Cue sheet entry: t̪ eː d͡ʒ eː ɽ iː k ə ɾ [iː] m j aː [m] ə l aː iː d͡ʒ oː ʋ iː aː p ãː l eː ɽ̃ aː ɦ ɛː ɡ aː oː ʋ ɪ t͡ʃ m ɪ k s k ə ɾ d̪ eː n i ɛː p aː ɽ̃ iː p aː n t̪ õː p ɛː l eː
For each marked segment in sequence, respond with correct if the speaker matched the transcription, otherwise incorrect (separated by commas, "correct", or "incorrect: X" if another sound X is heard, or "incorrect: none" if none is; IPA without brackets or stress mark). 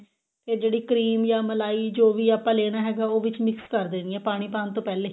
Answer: correct, correct